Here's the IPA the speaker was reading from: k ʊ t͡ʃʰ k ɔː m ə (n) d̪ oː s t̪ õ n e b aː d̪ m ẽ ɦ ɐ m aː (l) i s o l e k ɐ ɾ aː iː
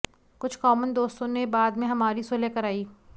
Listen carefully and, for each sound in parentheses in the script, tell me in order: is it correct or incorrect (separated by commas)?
correct, incorrect